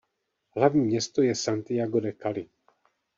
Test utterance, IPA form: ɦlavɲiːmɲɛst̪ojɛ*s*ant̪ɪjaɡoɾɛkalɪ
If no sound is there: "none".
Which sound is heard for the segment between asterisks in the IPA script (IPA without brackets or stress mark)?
s